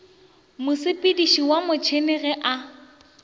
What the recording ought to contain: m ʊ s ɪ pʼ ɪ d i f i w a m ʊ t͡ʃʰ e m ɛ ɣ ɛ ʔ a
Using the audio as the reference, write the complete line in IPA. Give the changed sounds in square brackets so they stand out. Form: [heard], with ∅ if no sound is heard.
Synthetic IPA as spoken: m ʊ s ɪ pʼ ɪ d i [ʃ] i w a m ʊ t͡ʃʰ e [n] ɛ ɣ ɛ ʔ a